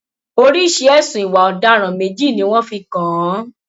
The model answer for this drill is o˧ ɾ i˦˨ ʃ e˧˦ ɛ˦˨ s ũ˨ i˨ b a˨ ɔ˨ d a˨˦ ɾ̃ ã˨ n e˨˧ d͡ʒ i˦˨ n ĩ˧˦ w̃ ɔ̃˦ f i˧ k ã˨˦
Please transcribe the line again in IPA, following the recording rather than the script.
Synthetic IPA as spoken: o˧ ɾ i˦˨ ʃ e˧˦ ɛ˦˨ s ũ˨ i˨ w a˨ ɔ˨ d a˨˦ ɾ̃ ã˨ m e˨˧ d͡ʒ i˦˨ n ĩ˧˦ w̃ ɔ̃˦ f i˧ k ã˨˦